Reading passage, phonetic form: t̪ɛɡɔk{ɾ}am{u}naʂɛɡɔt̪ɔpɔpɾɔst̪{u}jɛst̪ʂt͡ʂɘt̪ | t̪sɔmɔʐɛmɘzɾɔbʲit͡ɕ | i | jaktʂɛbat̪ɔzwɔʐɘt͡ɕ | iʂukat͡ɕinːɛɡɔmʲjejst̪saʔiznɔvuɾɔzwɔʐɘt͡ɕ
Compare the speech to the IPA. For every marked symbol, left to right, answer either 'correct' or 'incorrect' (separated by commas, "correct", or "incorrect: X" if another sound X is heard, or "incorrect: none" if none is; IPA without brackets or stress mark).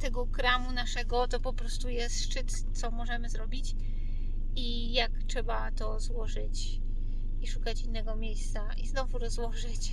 correct, correct, correct